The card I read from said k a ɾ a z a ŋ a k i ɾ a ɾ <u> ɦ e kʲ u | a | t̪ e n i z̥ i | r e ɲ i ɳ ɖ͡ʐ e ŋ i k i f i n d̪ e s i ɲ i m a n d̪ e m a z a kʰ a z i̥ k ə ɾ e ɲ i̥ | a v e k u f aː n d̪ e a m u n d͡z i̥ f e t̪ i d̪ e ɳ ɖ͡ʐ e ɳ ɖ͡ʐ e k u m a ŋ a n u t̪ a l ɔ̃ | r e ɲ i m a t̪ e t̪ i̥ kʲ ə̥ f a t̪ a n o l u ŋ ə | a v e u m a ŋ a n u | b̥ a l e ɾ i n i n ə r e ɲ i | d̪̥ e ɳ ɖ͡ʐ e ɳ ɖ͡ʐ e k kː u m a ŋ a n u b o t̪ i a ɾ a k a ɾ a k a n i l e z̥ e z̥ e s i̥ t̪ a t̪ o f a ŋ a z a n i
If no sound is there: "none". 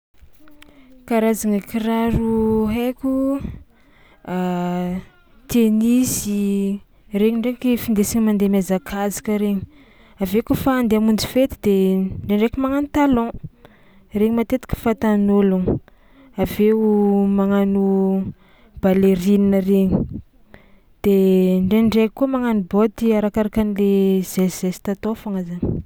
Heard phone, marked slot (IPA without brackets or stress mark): u